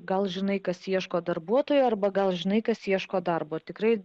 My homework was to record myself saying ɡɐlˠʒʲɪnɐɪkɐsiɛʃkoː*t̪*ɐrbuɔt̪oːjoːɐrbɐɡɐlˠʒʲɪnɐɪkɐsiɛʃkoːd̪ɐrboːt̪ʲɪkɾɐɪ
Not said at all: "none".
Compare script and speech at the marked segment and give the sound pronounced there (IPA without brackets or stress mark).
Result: d̪